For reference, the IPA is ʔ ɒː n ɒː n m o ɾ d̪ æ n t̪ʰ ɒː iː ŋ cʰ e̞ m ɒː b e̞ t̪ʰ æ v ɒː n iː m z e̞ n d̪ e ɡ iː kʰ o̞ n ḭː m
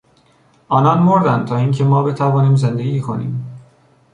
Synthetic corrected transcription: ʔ ɒː n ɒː n m o ɾ d̪ æ n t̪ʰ ɒː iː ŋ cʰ e̞ m ɒː b e̞ t̪ʰ æ v ɒː n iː m z e̞ n d̪ e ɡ iː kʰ o̞ n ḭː m